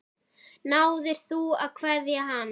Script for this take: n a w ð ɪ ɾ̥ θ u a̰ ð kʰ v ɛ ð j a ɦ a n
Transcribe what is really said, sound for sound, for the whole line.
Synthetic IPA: n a w ð ɪ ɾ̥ θ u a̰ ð kʰ v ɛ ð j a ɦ a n